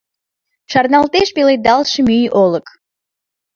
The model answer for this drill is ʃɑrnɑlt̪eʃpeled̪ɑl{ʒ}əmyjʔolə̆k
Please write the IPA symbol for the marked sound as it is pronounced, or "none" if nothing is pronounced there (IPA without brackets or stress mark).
ʃ